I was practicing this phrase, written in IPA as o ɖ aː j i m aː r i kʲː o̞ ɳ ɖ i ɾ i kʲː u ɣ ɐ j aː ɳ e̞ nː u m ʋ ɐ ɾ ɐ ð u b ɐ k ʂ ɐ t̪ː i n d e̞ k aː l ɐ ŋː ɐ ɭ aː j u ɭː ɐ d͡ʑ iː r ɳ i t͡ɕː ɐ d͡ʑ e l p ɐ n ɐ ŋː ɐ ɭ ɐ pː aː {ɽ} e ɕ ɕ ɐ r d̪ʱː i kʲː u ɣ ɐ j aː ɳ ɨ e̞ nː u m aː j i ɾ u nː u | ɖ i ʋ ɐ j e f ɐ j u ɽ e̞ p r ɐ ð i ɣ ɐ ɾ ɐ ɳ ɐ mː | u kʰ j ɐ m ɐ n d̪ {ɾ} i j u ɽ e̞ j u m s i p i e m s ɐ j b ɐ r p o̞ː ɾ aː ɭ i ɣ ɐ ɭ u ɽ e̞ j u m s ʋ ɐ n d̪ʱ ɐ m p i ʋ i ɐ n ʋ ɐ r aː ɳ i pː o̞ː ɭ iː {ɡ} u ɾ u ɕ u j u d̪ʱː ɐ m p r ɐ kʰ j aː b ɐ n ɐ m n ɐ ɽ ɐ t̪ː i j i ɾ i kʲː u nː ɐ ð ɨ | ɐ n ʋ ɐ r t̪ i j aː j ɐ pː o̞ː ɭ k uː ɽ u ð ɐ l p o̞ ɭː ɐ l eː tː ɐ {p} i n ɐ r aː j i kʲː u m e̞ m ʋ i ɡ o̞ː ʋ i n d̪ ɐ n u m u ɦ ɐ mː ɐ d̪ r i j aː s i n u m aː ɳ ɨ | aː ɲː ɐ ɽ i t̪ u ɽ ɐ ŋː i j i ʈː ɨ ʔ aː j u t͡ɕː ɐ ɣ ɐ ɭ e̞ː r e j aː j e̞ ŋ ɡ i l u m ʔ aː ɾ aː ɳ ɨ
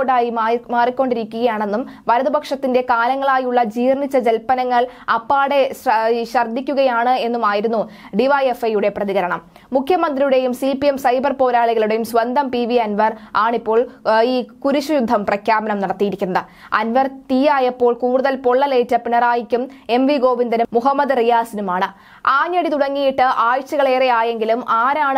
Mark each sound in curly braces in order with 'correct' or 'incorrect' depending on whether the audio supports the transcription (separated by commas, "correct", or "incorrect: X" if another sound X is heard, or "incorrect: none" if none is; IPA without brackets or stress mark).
correct, incorrect: r, incorrect: k, correct